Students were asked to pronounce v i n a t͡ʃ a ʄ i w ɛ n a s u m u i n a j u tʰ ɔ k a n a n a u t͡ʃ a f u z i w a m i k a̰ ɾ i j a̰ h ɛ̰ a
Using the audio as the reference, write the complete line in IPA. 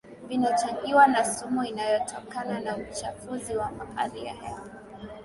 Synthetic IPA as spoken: v i n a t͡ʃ a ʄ i w a n a s u m u i n a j ɔ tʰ ɔ k a n a n a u t͡ʃ a f u z i w a m a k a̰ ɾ i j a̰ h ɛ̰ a